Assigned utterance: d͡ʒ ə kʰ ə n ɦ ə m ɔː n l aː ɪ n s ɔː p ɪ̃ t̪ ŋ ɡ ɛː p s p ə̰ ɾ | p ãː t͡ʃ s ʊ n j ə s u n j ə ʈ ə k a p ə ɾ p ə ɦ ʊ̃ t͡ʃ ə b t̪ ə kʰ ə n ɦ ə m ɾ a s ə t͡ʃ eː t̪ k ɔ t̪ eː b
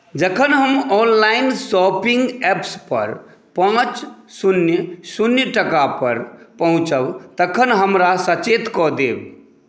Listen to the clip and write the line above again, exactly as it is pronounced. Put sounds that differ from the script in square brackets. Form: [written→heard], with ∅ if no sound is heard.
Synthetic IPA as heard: d͡ʒ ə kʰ ə n ɦ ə m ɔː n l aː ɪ n s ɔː p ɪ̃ [t̪→∅] ŋ ɡ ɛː p s p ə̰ ɾ | p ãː t͡ʃ s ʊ n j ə s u n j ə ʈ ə k a p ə ɾ p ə ɦ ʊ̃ t͡ʃ ə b t̪ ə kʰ ə n ɦ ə m ɾ a s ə t͡ʃ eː t̪ k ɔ [t̪→d̪] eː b